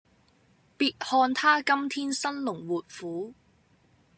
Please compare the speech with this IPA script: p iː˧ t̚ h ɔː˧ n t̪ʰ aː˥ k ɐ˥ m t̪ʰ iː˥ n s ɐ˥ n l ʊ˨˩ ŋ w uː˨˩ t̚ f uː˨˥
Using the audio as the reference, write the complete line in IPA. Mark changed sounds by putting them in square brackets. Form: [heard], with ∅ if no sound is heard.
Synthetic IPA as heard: p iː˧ t̚ h ɔː˧ n t̪ʰ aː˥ k ɐ˥ m t̪ʰ iː˥ n s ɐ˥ n l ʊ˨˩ ŋ w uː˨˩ t̚ f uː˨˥